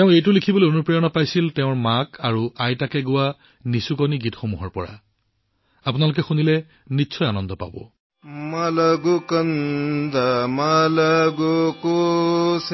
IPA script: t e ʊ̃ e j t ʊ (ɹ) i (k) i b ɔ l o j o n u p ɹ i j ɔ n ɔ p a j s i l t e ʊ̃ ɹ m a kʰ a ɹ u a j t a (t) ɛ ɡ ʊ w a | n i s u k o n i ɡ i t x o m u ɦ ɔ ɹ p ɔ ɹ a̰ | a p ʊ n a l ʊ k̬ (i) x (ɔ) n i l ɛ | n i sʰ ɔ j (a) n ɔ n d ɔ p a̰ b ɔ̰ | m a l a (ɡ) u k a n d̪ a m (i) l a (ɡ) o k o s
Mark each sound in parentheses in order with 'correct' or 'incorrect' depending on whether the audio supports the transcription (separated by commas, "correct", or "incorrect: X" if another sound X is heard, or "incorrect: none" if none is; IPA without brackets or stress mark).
incorrect: l, incorrect: kʰ, incorrect: k, incorrect: ɛ, incorrect: u, correct, correct, incorrect: a, correct